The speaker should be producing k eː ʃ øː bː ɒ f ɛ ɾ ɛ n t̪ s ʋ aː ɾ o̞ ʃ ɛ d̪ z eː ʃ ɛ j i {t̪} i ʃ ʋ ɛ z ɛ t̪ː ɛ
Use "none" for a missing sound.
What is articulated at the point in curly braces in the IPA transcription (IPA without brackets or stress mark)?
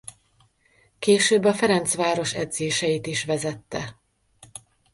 t̪